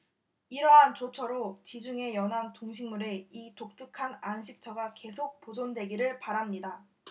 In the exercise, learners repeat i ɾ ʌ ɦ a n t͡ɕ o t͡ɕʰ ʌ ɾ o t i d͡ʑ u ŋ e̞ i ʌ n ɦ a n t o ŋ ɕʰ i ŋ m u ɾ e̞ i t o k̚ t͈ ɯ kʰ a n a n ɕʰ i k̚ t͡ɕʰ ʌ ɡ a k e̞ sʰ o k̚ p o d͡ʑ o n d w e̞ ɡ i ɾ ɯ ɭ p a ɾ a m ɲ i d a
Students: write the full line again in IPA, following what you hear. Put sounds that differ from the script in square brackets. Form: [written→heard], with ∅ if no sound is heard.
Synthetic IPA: i ɾ ʌ ɦ a n t͡ɕ o t͡ɕʰ ʌ ɾ o [t→t͡ɕ] i d͡ʑ u ŋ e̞ [i→j] ʌ n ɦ a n t o ŋ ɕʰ i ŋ m u ɾ e̞ i t o k̚ t͈ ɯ kʰ a n a n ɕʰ i k̚ t͡ɕʰ ʌ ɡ a k e̞ sʰ o k̚ p o d͡ʑ o n d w e̞ ɡ i ɾ ɯ ɭ p a ɾ a m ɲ i d a